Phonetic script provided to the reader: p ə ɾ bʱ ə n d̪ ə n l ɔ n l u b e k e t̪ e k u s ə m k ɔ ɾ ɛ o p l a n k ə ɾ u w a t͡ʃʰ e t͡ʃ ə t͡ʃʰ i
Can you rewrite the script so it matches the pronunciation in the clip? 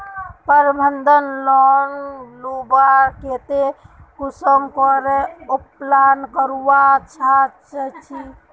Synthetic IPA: p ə ɾ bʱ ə n d̪ ə n l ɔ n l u b a k e t̪ e k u s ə m k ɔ ɾ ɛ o p l a n k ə ɾ u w a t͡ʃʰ a t͡ʃ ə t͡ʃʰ i